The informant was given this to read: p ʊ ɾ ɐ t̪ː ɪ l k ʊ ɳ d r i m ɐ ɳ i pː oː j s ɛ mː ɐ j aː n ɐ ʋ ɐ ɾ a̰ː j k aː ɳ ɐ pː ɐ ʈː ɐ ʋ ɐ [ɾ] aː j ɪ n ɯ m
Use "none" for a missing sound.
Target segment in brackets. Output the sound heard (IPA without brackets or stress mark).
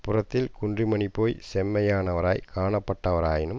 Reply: ɾ